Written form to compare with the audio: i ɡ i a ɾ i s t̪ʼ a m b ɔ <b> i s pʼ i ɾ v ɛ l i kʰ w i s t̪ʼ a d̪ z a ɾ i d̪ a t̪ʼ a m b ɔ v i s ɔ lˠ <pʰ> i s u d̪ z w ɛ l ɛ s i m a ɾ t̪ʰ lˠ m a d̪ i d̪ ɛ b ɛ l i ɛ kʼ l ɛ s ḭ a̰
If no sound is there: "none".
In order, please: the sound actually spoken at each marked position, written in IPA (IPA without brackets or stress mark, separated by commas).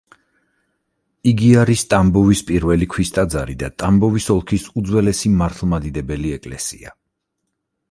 v, kʰ